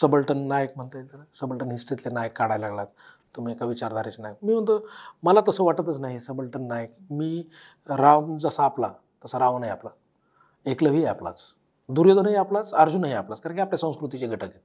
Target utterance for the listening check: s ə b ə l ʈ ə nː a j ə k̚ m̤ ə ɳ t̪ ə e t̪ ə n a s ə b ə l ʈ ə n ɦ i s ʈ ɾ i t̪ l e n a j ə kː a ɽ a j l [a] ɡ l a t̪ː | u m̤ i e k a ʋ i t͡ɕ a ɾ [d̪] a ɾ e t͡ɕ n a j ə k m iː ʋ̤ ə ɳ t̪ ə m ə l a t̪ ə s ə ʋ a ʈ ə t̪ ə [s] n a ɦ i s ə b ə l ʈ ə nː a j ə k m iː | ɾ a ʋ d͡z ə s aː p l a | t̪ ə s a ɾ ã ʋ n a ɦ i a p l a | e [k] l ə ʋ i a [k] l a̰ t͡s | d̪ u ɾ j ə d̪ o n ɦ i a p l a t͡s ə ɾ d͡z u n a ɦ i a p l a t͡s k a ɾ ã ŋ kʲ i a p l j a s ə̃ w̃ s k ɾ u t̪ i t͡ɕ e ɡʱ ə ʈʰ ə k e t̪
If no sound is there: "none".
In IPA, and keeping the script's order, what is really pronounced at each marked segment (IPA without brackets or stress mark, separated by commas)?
a, d̪, t͡s, k, p